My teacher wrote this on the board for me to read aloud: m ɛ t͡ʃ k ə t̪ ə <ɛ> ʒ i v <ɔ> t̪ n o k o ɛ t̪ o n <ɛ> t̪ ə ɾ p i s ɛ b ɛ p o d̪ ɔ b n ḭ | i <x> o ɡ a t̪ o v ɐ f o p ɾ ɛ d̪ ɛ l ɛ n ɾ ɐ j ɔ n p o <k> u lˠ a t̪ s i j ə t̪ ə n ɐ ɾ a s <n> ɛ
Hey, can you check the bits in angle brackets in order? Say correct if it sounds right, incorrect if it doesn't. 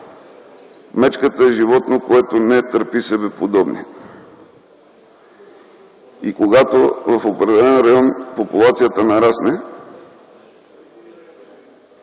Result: correct, correct, correct, incorrect: k, incorrect: p, correct

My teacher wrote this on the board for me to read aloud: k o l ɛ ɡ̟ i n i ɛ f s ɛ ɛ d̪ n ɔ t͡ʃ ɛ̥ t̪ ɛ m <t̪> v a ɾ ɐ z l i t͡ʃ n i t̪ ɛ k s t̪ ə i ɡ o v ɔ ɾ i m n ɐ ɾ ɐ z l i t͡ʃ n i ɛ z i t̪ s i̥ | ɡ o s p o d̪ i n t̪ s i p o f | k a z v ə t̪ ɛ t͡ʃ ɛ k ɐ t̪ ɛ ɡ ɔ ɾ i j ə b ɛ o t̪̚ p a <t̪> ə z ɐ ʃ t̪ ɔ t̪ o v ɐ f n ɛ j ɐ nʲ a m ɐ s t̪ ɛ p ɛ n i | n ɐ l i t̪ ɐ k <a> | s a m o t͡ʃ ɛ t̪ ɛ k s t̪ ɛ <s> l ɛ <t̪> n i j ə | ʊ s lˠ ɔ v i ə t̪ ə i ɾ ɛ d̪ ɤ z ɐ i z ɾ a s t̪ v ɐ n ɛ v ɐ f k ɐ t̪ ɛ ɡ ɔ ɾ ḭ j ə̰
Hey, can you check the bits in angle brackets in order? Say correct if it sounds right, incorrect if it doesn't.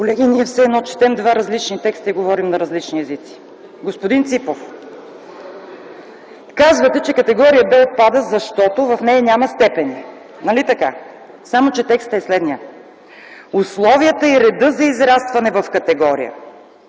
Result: incorrect: d̪, incorrect: d̪, correct, correct, incorrect: d̪

